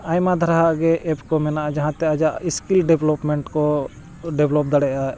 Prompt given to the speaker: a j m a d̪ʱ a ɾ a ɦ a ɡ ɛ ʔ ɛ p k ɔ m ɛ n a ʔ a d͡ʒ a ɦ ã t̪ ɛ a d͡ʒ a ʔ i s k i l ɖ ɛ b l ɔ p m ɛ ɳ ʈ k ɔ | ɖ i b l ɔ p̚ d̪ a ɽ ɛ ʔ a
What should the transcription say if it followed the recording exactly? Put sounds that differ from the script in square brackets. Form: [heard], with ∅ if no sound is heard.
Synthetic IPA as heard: a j m a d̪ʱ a ɾ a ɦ a ɡ ɛ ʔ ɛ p k ɔ m ɛ n a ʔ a d͡ʒ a ɦ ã t̪ ɛ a d͡ʒ a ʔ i s k i l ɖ ɛ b l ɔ p m ɛ ɳ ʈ k ɔ | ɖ [ɛ] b l ɔ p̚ d̪ a ɽ ɛ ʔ a